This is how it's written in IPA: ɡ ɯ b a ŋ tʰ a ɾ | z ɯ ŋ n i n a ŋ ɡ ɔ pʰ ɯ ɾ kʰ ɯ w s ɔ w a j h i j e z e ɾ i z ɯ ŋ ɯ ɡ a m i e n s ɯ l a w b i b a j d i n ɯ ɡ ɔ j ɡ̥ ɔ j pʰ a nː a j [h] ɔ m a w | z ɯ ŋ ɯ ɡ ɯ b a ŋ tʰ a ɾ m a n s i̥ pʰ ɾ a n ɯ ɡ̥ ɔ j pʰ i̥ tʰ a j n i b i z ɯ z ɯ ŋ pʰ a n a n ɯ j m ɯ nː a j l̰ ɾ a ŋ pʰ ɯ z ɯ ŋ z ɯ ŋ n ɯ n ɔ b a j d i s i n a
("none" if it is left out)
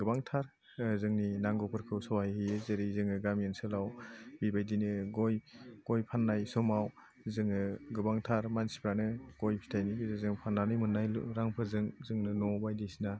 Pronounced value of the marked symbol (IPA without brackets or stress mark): s